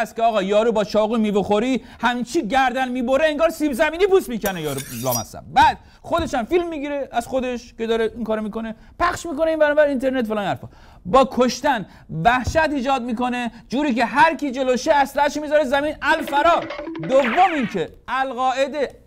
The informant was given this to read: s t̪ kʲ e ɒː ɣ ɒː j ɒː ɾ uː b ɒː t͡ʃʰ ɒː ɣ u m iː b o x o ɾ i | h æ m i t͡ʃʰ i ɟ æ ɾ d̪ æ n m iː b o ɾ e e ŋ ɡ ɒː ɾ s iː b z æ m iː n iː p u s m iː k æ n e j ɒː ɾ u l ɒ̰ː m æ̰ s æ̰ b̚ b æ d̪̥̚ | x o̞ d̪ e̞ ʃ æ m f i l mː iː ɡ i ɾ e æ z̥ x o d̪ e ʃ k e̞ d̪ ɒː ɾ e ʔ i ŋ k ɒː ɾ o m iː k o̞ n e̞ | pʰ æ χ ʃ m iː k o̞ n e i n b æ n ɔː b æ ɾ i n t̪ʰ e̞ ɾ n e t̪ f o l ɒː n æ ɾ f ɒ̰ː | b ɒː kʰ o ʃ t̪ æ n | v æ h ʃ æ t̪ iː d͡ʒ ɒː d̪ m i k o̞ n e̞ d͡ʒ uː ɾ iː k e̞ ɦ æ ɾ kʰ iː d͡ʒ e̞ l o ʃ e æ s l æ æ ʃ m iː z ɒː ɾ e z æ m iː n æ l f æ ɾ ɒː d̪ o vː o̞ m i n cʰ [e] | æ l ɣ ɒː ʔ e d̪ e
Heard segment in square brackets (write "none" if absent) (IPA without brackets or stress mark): e